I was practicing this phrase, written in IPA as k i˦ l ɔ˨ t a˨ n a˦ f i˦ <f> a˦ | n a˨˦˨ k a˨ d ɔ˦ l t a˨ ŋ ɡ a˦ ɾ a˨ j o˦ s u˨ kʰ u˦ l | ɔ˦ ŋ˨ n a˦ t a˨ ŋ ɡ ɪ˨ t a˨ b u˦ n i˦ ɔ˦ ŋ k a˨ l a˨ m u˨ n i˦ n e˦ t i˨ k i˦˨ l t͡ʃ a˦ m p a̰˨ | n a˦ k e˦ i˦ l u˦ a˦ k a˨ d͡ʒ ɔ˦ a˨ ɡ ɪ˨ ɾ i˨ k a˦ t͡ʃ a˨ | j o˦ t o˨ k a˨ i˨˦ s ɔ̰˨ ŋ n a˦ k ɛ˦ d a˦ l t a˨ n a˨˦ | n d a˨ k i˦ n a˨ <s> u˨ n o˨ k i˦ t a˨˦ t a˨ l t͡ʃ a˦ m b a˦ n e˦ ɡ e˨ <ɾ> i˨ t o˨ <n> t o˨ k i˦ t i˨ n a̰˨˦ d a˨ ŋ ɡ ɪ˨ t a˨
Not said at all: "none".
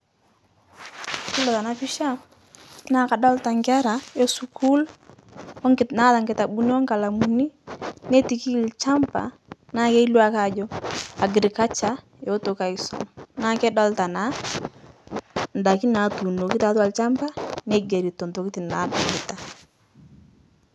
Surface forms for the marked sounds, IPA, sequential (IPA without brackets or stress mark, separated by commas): ʃ, t, ɾ, n